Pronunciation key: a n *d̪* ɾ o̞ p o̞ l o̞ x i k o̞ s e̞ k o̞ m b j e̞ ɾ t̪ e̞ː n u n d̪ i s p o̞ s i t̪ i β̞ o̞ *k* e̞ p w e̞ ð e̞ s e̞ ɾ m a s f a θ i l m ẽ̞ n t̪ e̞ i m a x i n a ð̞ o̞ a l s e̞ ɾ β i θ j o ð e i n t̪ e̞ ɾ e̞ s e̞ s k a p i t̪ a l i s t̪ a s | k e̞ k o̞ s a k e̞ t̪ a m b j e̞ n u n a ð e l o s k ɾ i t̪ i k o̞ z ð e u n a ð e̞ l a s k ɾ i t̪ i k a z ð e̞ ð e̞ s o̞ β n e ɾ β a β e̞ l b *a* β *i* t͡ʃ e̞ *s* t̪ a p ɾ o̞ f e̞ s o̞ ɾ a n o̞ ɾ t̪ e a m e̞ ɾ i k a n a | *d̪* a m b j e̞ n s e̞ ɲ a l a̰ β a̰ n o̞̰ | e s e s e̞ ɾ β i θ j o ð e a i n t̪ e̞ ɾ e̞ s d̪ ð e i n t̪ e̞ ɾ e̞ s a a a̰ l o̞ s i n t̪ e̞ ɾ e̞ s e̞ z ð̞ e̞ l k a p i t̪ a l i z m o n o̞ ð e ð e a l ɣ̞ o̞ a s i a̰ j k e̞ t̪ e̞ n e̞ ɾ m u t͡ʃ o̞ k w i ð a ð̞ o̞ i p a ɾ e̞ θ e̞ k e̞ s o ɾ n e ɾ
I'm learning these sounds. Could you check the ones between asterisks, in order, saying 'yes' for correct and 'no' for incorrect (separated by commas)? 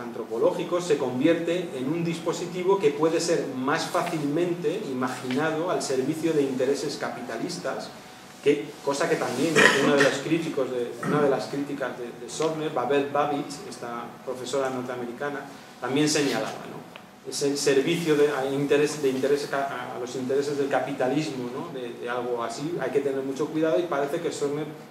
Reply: no, yes, yes, yes, yes, no